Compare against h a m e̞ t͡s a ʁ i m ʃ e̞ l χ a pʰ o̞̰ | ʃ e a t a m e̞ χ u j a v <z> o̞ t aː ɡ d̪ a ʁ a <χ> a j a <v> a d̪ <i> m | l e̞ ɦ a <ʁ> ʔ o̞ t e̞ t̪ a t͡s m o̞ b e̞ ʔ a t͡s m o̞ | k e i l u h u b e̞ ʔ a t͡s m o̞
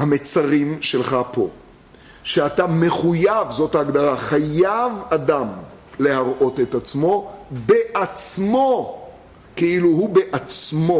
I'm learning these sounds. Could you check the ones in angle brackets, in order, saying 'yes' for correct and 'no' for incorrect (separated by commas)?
yes, yes, yes, no, yes